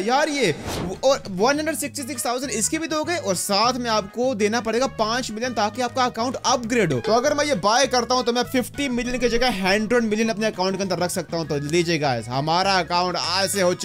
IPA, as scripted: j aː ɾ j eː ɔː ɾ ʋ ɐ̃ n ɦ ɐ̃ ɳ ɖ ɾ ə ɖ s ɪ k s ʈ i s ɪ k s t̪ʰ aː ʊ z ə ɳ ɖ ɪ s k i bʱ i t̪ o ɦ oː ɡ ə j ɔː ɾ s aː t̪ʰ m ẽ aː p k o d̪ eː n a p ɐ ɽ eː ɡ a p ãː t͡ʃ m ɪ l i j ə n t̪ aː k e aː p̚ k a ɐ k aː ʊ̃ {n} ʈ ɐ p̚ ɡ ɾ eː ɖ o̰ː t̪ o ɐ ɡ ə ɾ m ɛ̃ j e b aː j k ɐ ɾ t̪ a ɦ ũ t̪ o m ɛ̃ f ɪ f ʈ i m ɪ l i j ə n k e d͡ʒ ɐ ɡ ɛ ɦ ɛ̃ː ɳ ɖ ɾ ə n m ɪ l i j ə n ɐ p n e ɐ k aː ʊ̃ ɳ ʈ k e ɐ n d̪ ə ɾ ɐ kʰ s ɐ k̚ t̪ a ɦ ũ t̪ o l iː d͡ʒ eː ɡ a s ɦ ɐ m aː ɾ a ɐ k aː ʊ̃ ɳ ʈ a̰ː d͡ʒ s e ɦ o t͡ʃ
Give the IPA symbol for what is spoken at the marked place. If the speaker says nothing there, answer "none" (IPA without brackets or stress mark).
ɳ